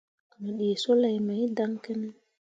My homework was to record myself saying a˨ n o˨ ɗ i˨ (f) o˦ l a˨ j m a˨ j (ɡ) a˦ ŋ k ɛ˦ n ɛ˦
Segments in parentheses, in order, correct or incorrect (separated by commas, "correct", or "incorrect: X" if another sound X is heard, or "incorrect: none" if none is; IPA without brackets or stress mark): incorrect: s, incorrect: d